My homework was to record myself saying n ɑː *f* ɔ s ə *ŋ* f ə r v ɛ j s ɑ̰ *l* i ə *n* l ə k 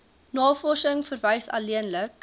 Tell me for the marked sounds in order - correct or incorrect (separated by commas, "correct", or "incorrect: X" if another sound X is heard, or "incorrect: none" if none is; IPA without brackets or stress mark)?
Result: correct, correct, correct, correct